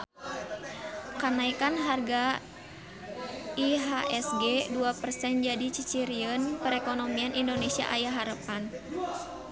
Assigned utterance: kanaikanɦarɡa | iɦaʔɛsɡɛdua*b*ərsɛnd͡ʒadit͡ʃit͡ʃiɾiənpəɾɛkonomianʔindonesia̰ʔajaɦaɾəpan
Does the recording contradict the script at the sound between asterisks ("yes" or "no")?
yes